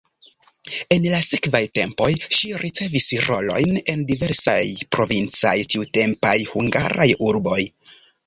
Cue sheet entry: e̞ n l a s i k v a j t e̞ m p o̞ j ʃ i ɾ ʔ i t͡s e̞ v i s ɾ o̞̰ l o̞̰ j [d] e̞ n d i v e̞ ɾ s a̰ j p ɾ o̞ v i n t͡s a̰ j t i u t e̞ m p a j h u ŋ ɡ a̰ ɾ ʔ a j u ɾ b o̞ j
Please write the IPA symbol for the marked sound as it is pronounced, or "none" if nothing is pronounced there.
n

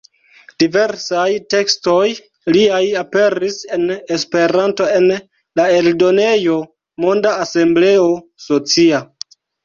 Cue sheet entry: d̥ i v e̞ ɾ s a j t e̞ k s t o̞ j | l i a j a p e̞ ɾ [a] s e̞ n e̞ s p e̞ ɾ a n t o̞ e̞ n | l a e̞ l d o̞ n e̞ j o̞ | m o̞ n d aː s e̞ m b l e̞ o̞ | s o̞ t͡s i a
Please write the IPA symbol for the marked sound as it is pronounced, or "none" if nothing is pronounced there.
i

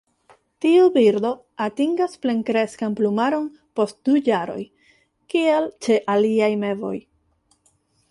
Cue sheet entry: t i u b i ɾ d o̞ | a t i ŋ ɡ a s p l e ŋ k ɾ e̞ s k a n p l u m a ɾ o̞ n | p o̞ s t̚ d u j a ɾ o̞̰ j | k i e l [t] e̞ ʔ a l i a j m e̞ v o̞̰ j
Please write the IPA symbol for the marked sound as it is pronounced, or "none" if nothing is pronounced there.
t͡ʃ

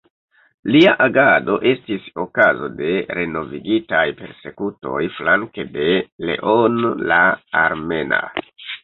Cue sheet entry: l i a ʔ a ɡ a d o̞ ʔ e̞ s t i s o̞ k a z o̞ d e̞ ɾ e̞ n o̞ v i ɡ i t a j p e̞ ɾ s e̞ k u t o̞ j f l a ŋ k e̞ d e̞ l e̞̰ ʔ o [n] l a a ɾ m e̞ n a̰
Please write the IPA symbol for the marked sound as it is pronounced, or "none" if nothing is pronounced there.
n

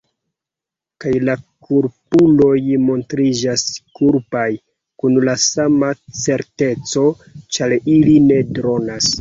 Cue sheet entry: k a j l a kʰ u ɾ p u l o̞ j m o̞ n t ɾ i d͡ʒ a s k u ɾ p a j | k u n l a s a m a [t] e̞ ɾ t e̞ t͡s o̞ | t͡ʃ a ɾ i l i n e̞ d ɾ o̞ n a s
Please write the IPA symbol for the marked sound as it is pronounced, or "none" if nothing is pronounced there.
t͡s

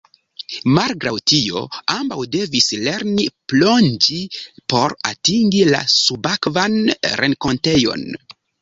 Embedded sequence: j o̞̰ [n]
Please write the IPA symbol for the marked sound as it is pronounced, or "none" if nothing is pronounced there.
n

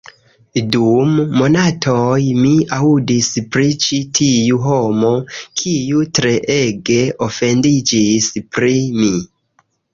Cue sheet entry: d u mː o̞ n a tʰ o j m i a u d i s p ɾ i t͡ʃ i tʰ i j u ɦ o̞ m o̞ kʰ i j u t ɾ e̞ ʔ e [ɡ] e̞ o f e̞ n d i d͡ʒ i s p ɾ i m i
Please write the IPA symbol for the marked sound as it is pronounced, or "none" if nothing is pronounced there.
ɡ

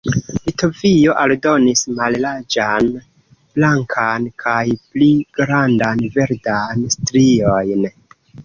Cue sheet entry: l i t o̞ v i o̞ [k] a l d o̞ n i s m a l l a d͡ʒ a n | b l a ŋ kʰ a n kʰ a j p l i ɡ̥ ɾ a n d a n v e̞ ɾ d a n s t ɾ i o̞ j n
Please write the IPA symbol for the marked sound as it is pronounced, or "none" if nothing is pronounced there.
ʔ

